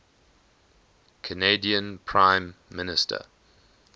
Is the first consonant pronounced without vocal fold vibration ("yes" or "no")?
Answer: yes